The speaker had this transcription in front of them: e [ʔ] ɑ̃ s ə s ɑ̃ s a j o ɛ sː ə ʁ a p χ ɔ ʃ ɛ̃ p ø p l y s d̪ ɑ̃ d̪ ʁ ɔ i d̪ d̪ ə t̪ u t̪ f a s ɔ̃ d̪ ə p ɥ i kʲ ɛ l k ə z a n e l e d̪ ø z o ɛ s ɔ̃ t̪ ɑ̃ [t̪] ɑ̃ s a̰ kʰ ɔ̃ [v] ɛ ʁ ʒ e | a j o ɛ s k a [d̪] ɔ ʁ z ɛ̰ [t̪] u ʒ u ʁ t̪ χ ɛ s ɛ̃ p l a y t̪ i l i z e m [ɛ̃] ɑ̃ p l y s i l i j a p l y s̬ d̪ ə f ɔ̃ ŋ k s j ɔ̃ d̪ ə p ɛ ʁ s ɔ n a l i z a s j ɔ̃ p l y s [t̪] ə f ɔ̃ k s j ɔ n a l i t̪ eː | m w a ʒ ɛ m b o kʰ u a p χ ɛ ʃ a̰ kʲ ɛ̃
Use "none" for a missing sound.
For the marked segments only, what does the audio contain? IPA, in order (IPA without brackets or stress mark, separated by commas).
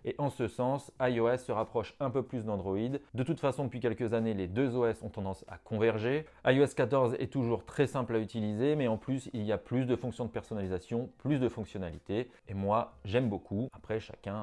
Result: ʔ, d̪, v, t̪, t̪, ɛ, d̪